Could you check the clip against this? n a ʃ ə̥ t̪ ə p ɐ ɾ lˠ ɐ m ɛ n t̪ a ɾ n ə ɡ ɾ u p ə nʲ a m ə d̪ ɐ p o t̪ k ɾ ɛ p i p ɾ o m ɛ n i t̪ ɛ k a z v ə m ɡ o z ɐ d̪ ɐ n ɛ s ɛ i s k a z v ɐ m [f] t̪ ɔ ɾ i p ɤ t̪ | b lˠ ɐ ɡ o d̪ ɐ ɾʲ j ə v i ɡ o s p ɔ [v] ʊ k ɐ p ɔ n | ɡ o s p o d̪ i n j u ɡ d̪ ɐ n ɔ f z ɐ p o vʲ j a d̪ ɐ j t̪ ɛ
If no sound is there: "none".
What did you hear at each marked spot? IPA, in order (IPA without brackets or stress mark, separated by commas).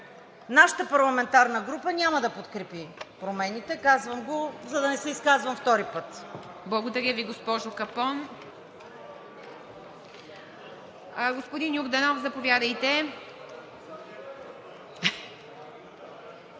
f, ʒ